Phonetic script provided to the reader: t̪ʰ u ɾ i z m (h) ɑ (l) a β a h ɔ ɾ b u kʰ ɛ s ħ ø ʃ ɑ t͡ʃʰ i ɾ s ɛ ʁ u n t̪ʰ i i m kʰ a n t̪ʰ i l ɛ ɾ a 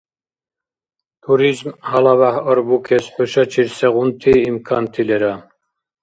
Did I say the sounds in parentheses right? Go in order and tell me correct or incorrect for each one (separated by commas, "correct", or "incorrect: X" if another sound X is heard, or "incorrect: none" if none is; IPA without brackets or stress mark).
correct, correct